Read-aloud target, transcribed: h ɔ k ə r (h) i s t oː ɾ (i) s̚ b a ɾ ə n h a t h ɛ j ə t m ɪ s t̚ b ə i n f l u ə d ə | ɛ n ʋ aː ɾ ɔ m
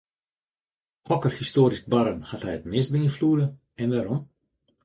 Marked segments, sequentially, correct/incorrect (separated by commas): correct, correct